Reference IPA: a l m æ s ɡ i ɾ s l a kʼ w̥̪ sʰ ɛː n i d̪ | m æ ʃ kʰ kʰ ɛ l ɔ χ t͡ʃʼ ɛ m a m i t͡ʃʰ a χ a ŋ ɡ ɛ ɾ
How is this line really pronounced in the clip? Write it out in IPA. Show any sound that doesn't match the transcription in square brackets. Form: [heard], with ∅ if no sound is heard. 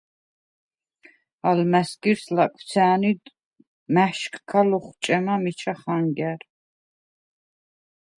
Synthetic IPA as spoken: a l m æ s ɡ i ɾ s l a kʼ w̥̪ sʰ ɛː n i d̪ | m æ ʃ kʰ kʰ [a] l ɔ χ t͡ʃʼ ɛ m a m i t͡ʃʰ a χ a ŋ ɡ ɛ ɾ